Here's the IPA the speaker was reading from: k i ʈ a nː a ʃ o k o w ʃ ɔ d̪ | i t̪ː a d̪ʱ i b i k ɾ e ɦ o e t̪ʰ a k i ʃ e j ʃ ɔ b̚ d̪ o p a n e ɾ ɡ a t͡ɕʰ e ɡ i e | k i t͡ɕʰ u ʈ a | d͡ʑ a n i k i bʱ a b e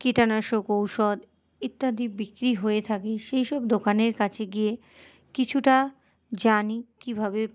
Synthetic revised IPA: k i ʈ a n a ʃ o k o w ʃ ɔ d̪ | i t̪ː a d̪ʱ i b i k ɾ i ɦ o e t̪ʰ a k e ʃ e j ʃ ɔ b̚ d̪ o k a n e ɾ k a t͡ɕʰ e ɡ i e | k i t͡ɕʰ u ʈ a | d͡ʑ a n i k i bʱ a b e